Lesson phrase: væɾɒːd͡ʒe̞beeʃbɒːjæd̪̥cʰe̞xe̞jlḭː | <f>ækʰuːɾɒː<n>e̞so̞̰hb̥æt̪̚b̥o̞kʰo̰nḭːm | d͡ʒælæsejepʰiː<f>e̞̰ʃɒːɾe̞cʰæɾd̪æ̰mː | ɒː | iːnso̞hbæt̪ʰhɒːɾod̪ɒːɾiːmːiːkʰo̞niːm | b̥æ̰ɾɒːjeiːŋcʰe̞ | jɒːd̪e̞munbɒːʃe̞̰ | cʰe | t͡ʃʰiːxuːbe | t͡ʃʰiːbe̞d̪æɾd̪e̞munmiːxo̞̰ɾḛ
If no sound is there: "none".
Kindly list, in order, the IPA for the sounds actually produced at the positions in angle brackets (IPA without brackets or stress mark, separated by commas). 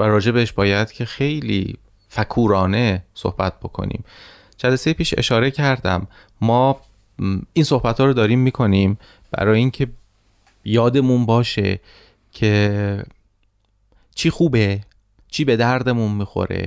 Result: f, n, ʃ